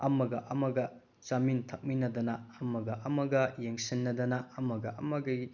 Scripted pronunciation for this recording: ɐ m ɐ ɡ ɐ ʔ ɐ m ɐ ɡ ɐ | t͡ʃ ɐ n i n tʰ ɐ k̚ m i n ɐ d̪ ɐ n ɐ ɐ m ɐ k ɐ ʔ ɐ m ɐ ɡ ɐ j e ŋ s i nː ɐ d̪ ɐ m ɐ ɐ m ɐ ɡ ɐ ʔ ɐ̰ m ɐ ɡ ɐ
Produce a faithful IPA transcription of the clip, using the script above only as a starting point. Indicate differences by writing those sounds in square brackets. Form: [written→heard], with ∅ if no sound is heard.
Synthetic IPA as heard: ɐ m ɐ ɡ ɐ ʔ ɐ m ɐ ɡ ɐ | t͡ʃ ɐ [n→m] i n tʰ ɐ k̚ m i n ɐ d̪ ɐ n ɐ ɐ m ɐ [k→ɡ] ɐ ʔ ɐ m ɐ ɡ ɐ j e ŋ s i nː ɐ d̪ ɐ [m→n] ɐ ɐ m ɐ ɡ ɐ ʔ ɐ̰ m ɐ ɡ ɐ